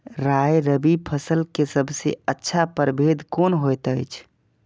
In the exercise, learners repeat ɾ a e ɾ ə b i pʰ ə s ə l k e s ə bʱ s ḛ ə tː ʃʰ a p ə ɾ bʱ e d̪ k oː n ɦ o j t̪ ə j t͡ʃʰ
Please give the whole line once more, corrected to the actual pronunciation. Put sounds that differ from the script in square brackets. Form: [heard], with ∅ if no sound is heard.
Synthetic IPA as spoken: ɾ a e ɾ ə b i pʰ ə s ə l k e s ə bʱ s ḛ ə tː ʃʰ a p ə ɾ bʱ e d̪ k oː n ɦ o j t̪ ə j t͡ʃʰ